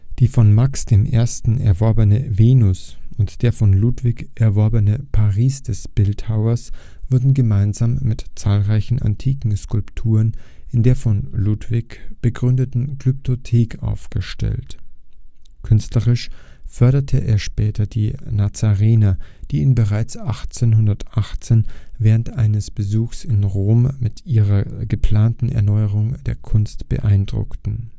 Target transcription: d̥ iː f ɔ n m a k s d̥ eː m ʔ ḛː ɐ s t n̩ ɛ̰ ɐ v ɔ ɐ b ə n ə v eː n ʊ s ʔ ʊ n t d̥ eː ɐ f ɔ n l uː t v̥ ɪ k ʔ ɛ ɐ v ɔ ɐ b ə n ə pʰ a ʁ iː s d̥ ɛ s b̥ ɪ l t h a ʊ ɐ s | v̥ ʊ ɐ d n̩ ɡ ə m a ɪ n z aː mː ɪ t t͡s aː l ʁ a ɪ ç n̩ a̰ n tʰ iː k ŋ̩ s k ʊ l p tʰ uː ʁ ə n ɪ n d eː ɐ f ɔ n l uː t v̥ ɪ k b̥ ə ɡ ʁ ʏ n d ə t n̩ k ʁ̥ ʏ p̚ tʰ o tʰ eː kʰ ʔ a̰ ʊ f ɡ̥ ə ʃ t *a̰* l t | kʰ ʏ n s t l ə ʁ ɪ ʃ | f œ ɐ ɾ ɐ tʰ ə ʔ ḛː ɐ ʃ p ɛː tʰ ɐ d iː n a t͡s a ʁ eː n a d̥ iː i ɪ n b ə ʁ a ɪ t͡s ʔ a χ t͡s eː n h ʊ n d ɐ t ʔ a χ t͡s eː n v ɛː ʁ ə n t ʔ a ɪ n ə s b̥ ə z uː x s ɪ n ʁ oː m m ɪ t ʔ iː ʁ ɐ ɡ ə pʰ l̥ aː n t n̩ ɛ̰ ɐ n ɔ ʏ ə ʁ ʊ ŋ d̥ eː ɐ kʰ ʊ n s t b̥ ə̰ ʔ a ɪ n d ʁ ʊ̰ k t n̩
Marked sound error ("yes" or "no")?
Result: yes